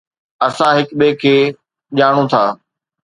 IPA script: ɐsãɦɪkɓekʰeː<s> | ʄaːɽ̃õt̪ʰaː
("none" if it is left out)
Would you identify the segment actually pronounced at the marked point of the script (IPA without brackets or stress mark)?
none